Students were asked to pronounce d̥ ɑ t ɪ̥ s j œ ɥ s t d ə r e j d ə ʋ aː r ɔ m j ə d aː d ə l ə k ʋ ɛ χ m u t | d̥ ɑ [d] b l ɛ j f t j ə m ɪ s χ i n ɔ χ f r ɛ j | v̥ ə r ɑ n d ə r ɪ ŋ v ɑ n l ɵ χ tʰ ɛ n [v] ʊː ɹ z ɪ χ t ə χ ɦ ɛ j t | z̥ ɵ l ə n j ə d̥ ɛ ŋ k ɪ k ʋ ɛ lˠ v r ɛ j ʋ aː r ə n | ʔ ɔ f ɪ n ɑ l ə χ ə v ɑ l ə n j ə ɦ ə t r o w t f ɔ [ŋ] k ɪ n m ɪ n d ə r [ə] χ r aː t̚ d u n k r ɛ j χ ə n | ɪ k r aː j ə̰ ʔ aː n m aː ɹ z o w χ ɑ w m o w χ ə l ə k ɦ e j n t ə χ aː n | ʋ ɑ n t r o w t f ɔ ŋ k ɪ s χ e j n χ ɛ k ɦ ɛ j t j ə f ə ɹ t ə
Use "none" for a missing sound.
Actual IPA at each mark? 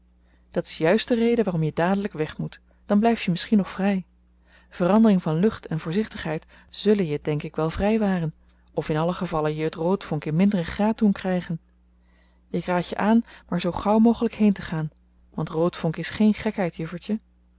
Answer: n, v, ŋ, ə

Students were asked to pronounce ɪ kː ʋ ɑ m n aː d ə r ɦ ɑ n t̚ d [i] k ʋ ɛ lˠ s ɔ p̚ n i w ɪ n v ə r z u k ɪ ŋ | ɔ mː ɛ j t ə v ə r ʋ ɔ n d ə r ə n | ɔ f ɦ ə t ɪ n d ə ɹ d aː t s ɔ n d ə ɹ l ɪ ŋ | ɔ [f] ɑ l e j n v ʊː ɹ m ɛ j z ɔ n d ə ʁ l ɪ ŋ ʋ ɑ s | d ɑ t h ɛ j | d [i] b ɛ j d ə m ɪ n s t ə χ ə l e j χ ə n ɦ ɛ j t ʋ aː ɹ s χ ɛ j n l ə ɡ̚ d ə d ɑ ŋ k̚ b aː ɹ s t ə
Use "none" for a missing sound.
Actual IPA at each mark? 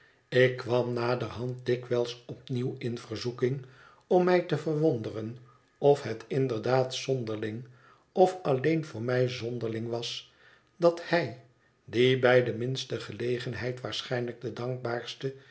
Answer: ɪ, f, i

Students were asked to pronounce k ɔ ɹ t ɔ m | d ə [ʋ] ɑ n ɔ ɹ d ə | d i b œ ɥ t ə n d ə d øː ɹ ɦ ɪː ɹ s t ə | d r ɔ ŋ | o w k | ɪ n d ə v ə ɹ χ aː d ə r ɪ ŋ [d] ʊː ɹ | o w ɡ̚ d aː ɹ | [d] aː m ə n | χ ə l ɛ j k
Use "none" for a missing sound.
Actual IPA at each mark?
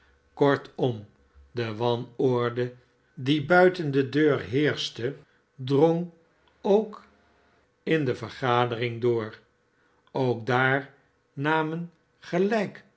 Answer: ʋ, d, n

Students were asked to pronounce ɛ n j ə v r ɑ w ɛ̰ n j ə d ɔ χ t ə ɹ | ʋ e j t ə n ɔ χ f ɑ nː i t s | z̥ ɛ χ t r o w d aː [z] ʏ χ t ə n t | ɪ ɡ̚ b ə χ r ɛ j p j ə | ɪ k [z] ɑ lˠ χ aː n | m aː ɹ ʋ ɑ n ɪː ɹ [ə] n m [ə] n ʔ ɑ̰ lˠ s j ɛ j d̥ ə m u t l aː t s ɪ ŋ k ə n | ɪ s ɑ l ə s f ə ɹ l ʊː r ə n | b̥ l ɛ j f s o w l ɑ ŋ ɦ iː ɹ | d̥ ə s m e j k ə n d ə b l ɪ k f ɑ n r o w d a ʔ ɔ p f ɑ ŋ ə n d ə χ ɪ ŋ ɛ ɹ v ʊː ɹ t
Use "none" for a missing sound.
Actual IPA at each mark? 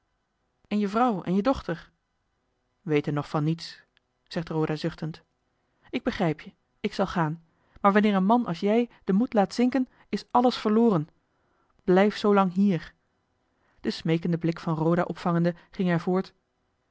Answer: z, s, ə, ɑ

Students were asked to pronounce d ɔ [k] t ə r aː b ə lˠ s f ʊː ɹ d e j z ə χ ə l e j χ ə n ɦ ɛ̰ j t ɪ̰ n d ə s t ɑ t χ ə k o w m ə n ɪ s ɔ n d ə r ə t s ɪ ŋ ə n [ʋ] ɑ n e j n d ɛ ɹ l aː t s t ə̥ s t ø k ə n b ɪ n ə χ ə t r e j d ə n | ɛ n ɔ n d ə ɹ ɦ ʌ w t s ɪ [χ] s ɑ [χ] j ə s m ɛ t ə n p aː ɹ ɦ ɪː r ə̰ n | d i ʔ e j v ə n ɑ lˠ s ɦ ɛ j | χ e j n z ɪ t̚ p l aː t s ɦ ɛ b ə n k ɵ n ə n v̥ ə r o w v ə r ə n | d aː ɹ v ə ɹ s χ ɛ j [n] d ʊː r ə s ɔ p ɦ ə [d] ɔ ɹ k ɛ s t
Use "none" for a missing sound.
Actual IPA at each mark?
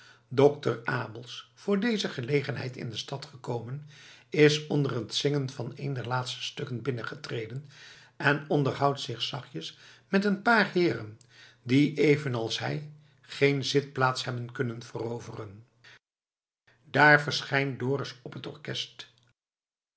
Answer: k, v, χ, χ, n, t

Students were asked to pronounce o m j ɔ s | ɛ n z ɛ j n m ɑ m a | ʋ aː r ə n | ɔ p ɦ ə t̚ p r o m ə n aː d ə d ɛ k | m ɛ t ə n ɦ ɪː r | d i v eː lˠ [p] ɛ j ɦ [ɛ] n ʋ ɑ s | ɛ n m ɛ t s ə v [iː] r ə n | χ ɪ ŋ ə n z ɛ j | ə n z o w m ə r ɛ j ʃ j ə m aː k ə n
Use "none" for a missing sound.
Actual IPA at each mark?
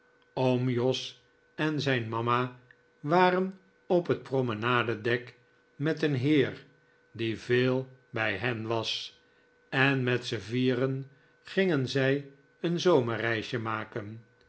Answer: b, ɛ, iː

